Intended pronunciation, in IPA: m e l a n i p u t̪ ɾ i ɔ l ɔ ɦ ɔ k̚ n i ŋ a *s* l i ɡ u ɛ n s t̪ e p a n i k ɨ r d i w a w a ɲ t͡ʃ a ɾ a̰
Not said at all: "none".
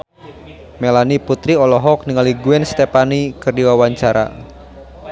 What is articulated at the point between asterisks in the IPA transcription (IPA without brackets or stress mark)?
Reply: none